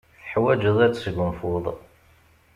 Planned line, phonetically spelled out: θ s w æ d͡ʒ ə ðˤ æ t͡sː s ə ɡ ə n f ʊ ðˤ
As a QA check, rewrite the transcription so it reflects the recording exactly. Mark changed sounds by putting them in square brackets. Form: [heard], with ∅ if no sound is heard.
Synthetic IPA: θ [ħ] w æ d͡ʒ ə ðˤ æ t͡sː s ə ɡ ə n f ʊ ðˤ

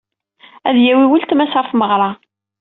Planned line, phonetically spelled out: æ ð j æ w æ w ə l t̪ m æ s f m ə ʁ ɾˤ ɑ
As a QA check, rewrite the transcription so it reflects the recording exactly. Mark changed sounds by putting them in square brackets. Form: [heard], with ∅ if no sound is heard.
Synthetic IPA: æ ð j æ w [i] w ə l t̪ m æ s f m ə ʁ ɾˤ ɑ

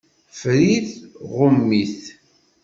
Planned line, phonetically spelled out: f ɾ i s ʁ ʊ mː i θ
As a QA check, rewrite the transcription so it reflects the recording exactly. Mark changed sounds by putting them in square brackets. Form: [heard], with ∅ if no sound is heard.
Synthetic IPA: f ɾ i [θ] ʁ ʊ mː i θ

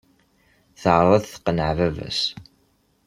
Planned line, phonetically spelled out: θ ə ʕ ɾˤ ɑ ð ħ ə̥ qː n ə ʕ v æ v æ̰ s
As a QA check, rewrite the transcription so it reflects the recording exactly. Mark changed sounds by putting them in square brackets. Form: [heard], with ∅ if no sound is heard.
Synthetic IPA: θ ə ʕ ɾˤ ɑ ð [θ] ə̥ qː n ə ʕ v æ v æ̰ s

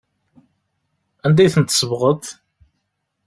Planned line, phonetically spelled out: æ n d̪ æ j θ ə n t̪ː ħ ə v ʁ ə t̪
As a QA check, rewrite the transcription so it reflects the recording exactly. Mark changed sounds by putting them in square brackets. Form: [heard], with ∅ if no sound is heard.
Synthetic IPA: æ n d̪ æ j θ ə n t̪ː [s] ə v ʁ ə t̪

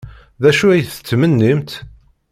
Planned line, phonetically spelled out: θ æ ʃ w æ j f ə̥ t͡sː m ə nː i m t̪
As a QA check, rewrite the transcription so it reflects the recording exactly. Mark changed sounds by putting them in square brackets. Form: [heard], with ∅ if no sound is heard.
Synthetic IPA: [ð] æ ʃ [u] æ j [θ] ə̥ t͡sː m ə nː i m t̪

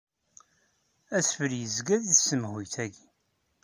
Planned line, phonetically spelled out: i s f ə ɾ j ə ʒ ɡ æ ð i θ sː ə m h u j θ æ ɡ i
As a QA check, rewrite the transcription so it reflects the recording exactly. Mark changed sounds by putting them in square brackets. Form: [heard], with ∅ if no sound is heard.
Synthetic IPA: [æ] s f ə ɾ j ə [z] ɡ æ ð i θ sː ə m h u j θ æ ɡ i

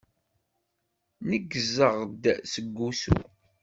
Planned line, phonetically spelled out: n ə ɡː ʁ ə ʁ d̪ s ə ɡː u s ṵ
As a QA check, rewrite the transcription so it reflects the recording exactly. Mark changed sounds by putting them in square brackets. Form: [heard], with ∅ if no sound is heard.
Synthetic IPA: n ə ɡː [z] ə ʁ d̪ s ə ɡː u s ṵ

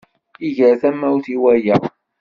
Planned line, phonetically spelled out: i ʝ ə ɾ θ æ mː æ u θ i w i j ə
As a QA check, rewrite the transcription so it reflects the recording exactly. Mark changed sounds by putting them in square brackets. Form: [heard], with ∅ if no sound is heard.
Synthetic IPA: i ʝ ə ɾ θ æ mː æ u θ i w [æ] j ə

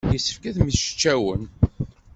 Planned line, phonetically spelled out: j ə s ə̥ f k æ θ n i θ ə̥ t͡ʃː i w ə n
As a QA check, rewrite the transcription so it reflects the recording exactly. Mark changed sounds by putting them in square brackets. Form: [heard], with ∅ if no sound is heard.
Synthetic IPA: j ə s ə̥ f k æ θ [m] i [ʃ] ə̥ t͡ʃː [æ] w ə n

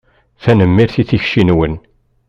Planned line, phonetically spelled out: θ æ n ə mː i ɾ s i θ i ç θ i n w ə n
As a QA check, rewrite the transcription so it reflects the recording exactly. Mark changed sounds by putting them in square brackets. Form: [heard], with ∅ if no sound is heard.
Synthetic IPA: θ æ n ə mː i ɾ [θ] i θ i ç [ʃ] i n w ə n

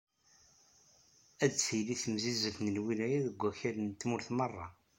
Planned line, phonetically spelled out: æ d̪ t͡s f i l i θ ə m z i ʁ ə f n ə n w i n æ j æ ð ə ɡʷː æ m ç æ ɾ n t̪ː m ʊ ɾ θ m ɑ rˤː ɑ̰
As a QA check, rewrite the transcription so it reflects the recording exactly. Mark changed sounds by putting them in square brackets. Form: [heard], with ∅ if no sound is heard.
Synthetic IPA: æ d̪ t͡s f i l i θ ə m z i [z] ə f n ə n w i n æ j æ ð ə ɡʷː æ [∅] ç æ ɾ n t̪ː m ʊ ɾ θ m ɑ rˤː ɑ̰

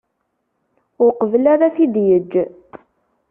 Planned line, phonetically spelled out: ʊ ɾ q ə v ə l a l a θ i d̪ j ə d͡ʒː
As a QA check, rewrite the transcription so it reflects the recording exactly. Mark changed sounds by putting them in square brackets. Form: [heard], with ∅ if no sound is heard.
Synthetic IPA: ʊ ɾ q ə v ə l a [ɾ] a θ i d̪ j ə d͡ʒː

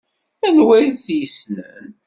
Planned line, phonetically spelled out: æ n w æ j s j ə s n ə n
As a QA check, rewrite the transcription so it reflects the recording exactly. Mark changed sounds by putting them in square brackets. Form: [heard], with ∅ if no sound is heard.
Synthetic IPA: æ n w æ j [θ] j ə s n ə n

